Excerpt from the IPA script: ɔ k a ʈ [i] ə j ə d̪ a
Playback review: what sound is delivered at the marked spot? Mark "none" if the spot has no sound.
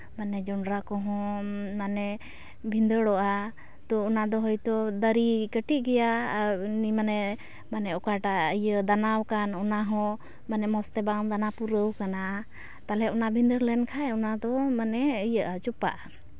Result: a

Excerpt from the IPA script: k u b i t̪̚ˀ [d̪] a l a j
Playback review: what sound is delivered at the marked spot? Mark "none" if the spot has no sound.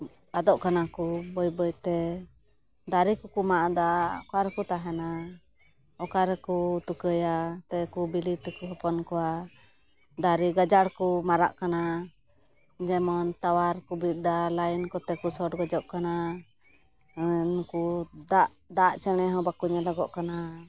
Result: d̪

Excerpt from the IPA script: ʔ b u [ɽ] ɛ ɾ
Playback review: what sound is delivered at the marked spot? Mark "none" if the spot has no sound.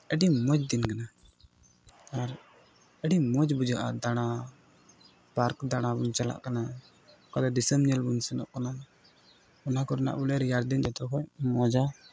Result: l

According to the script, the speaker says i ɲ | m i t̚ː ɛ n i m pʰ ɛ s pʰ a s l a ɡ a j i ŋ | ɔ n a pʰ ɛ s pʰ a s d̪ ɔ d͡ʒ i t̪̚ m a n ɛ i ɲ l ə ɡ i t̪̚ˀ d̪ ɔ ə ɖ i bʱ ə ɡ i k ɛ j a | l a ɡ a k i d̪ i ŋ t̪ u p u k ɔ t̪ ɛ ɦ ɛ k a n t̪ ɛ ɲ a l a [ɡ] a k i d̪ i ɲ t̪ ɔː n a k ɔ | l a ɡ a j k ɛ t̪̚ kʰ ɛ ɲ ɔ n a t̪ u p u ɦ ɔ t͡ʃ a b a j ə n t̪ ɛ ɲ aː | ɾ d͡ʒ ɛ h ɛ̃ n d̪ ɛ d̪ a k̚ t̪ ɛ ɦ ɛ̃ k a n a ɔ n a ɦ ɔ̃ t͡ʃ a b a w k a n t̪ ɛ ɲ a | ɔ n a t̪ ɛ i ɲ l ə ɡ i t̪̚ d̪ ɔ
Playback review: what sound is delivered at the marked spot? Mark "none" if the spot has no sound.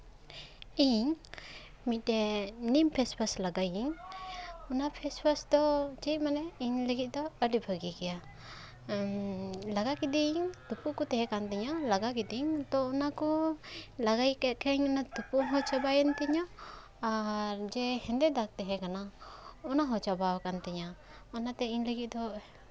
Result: ɡ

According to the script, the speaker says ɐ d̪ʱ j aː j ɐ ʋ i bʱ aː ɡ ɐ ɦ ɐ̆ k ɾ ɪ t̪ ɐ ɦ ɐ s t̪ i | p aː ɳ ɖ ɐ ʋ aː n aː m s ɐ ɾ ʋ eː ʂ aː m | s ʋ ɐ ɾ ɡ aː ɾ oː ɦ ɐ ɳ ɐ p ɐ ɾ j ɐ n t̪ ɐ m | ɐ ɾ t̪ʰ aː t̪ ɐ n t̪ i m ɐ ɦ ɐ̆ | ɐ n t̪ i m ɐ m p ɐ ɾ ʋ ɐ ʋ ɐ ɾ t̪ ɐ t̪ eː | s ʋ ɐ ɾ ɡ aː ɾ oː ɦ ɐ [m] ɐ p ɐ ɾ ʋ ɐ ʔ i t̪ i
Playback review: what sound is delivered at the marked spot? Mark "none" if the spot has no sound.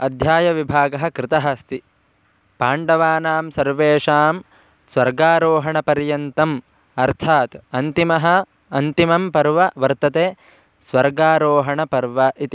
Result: ɳ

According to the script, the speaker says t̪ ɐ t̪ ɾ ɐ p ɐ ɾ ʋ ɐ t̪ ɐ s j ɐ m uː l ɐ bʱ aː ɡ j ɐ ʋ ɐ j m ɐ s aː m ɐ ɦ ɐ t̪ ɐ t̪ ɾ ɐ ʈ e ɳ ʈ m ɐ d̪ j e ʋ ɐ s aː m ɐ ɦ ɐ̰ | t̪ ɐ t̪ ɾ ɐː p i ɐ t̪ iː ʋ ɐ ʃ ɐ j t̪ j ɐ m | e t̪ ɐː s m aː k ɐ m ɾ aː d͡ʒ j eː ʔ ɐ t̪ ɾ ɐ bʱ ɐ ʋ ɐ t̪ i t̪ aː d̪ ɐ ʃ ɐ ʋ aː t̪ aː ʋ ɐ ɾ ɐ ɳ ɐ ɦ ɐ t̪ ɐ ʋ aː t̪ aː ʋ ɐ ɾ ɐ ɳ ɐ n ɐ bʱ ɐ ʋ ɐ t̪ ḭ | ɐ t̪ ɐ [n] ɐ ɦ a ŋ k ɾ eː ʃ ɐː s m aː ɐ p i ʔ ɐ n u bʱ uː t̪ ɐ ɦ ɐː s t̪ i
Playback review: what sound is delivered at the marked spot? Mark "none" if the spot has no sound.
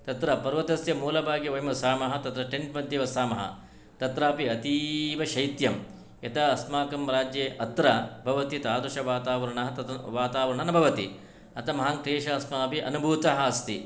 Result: m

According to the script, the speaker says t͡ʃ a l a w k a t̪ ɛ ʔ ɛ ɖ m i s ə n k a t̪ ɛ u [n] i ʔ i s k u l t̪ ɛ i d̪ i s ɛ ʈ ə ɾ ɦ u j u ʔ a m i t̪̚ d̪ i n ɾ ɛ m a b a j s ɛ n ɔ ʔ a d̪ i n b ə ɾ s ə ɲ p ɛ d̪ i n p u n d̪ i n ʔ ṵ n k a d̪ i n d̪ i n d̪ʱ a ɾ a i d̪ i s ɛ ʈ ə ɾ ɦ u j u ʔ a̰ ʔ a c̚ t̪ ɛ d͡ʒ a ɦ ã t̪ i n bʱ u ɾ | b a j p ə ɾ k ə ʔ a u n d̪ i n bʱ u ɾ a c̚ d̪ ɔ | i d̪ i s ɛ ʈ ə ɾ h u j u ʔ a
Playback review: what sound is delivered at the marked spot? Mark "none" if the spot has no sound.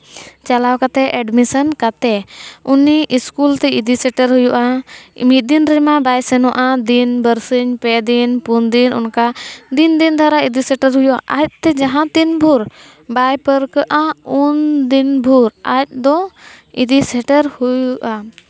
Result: n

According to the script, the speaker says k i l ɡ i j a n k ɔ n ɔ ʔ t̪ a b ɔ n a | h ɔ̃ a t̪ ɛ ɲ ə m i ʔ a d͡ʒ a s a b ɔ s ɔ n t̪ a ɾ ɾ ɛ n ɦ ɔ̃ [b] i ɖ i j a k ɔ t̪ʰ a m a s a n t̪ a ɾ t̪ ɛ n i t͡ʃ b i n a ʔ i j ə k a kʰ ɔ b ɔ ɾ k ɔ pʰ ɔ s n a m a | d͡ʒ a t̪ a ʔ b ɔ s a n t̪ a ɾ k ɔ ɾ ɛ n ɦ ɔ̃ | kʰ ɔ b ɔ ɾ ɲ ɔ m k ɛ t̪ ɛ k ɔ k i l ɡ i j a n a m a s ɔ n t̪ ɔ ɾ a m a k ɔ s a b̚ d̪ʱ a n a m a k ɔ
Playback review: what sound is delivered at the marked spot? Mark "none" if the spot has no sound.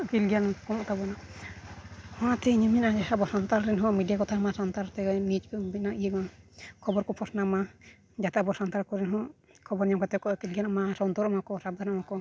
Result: m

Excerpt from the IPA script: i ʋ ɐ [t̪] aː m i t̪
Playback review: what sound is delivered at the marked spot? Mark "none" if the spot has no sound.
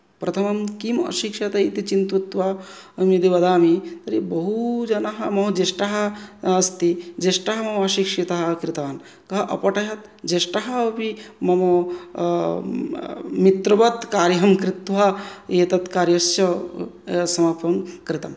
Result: d̪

